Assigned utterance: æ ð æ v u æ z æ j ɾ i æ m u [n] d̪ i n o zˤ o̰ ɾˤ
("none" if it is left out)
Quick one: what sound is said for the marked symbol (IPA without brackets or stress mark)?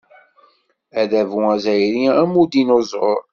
none